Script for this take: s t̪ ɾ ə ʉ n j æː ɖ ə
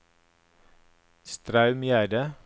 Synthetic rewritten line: s t̪ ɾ ɑ ʉ m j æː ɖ ə